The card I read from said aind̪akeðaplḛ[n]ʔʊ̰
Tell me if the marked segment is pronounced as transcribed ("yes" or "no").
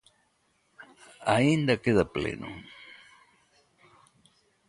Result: yes